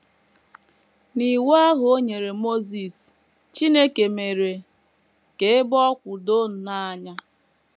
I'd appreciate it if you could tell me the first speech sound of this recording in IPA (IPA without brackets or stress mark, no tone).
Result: n